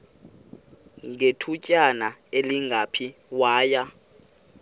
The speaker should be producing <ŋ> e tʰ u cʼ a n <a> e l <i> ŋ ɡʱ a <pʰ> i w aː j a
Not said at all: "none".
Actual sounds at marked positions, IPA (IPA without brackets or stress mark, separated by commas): ŋ, a, i, pʰ